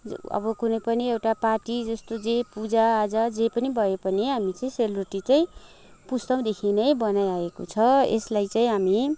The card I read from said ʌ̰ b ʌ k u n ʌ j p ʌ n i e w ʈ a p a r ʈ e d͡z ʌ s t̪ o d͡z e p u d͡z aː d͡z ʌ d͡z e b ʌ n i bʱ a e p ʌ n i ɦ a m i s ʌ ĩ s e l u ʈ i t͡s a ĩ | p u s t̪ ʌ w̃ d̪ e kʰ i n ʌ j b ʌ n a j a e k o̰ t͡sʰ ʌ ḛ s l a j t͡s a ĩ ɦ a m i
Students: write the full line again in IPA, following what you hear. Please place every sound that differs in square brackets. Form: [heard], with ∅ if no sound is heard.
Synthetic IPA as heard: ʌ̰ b ʌ k u n ʌ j p ʌ n i e w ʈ a p a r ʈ [i] d͡z ʌ s t̪ o d͡z e p u d͡z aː d͡z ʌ d͡z e [p] ʌ n i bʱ [ʌ] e p ʌ n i ɦ a m i [t͡s] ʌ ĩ s e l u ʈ i t͡s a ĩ | p u s t̪ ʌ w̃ d̪ e kʰ i n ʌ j b ʌ n a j a e k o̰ t͡sʰ ʌ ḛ s l a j t͡s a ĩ ɦ a m i

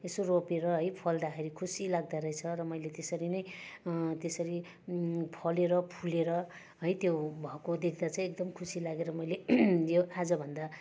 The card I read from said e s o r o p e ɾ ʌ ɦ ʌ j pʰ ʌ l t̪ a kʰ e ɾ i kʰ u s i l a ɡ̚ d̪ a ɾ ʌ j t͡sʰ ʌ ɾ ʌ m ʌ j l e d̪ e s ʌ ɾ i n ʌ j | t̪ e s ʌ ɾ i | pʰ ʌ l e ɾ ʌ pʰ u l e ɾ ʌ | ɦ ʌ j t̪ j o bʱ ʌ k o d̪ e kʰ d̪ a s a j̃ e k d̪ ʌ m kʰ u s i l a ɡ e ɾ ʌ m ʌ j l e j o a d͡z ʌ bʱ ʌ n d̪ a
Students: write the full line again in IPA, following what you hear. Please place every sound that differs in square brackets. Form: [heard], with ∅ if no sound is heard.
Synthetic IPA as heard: e s o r o p e ɾ ʌ ɦ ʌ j pʰ ʌ l [d̪] a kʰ e ɾ i kʰ u s i l a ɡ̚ d̪ a ɾ ʌ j t͡sʰ ʌ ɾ ʌ m ʌ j l e [t̪] e s ʌ ɾ i n ʌ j | t̪ e s ʌ ɾ i | pʰ ʌ l e ɾ ʌ pʰ u l e ɾ ʌ | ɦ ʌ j t̪ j o bʱ ʌ k o d̪ e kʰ d̪ a [t͡s] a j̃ e k d̪ ʌ m kʰ u s i l a ɡ e ɾ ʌ m ʌ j l e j o a d͡z ʌ bʱ ʌ n d̪ a

